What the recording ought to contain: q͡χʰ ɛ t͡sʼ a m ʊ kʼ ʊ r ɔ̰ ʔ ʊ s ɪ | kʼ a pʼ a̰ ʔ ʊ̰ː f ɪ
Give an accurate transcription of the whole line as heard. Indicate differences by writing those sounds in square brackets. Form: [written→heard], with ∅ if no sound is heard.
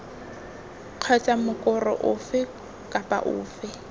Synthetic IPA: q͡χʰ ɛ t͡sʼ a m ʊ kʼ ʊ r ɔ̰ ʔ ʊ [s→f] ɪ | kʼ a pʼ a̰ ʔ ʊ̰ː f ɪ